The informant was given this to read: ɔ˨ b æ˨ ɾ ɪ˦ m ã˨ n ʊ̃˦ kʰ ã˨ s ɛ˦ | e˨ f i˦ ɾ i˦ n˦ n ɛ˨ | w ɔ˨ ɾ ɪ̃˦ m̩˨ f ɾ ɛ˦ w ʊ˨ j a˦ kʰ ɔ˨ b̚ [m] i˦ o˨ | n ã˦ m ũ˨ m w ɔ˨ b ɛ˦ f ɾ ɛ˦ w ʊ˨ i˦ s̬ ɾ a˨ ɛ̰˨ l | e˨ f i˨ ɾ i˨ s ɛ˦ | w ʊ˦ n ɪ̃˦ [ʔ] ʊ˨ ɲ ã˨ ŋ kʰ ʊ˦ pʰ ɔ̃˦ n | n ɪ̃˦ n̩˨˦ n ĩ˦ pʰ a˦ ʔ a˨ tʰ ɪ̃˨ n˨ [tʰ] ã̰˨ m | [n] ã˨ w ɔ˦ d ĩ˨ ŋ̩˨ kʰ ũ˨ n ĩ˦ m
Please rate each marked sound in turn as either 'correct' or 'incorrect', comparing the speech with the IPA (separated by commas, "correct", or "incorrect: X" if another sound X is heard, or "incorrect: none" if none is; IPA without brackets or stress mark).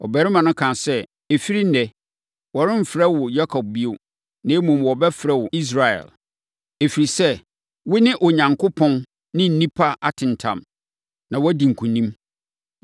incorrect: b, correct, correct, correct